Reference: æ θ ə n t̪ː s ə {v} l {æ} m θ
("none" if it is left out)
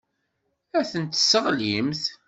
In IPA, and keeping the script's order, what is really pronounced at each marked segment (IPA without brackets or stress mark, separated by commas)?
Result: ʁ, i